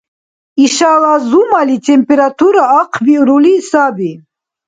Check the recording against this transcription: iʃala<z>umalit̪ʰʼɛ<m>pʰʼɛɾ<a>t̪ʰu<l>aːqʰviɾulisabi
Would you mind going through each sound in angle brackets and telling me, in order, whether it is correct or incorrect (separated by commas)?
correct, correct, correct, incorrect